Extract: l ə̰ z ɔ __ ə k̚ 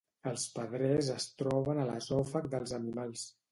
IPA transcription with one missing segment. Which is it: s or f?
f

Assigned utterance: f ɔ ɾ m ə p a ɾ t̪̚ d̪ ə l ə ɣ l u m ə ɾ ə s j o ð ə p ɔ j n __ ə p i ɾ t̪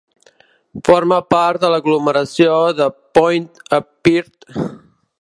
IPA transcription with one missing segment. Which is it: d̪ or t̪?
t̪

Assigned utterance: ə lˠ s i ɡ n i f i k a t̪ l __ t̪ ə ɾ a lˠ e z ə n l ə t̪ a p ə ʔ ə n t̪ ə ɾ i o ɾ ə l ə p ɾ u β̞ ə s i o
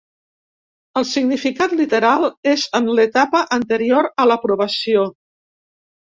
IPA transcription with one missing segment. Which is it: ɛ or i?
i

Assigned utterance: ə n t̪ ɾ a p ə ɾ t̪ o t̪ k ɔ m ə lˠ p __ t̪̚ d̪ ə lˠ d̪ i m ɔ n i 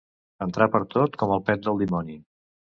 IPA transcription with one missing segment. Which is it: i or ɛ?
ɛ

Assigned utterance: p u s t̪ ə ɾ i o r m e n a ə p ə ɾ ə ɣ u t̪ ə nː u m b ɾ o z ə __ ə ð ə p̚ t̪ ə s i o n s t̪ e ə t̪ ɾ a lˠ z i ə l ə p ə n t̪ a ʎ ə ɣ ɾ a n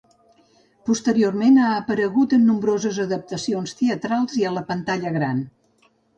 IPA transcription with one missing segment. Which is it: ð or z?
z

